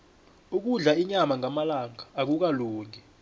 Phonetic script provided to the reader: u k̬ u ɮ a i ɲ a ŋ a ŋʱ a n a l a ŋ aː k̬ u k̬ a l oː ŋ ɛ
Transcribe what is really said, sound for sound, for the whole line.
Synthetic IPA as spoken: u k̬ u ɮ a i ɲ a m a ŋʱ a m a l a ŋ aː k̬ u k̬ a l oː ŋ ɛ